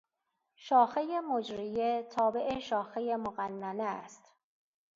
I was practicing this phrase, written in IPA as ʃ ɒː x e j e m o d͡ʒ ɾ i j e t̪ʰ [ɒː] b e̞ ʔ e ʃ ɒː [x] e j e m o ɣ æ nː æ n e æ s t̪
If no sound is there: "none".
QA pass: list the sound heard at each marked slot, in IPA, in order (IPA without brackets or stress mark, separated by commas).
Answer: ɒː, x